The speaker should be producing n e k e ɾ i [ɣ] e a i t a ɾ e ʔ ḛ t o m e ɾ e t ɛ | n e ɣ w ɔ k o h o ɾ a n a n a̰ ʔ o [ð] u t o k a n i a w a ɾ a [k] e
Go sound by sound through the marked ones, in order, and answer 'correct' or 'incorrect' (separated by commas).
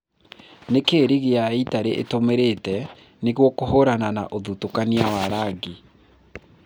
correct, correct, incorrect